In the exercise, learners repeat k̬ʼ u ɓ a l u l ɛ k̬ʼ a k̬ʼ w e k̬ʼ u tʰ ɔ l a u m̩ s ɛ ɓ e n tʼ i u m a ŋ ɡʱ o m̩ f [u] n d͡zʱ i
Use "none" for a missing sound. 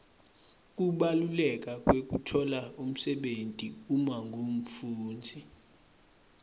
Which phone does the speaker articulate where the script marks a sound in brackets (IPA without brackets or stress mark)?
uː